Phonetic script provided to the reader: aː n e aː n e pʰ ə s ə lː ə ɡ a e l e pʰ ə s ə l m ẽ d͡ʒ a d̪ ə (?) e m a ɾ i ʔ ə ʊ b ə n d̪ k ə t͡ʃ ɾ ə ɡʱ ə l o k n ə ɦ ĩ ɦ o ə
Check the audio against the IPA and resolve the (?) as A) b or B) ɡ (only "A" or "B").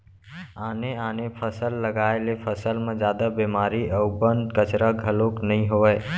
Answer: A